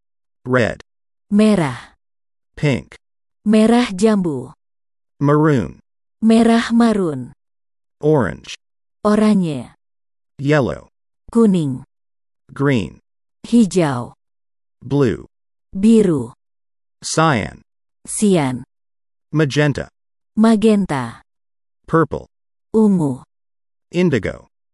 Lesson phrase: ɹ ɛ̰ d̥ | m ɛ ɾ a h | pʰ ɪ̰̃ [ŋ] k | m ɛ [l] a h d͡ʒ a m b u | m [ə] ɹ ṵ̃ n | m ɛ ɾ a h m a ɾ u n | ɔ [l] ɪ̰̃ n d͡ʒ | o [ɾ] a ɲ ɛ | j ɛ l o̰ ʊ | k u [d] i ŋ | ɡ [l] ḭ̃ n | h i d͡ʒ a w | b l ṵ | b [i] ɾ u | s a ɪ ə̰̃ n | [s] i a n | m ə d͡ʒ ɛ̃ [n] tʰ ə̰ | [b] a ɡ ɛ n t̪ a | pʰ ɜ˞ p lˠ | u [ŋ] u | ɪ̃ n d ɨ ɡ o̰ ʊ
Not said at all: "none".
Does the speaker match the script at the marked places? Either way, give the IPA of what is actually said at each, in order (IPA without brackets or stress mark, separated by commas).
ŋ, ɾ, ə, ɹ, ɾ, n, ɹ, i, s, n, m, ŋ